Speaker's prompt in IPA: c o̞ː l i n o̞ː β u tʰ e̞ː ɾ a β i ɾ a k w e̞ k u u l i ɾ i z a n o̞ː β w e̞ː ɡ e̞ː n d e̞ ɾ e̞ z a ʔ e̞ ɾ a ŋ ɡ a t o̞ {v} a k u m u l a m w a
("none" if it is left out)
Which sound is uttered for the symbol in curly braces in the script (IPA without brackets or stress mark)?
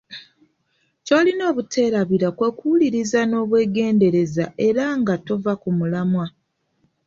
v